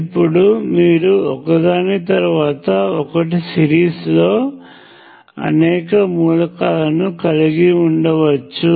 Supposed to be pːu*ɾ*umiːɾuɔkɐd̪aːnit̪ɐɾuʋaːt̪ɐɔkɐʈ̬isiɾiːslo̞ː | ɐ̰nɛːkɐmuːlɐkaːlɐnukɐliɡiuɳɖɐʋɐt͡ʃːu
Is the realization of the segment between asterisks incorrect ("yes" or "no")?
yes